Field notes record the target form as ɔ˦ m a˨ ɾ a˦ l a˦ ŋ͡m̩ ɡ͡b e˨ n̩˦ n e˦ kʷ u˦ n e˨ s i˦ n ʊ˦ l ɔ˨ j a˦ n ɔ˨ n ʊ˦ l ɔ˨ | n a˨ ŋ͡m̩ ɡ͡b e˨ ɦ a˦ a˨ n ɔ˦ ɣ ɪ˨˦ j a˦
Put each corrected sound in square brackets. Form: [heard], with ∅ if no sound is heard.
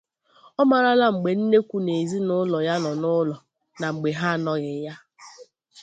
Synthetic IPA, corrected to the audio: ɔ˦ m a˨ ɾ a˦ l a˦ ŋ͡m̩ ɡ͡b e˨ n̩˦ n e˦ kʷ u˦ n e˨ [z] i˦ n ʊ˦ l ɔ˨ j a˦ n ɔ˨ n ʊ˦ l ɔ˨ | n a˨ ŋ͡m̩ ɡ͡b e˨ ɦ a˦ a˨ n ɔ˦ ɣ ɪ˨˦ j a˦